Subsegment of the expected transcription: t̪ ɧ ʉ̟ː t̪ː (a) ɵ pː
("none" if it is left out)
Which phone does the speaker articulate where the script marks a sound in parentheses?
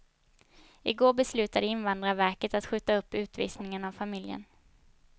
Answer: a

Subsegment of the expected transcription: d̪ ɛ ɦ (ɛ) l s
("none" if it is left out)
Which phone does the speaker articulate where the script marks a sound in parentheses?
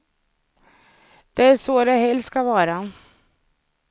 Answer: ɛ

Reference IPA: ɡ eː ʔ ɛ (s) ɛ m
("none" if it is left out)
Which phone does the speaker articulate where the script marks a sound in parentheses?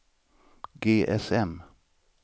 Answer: s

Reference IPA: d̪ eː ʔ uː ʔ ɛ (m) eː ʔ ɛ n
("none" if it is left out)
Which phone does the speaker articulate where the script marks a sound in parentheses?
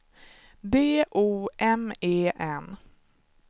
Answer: m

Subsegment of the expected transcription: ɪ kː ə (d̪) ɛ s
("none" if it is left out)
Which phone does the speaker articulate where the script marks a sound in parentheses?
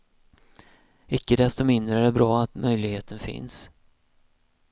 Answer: d̪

